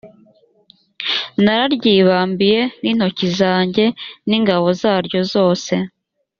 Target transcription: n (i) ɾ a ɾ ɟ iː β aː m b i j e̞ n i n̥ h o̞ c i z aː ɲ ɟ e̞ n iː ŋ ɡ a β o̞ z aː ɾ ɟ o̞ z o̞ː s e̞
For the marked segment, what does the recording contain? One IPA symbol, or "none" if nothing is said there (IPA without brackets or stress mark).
a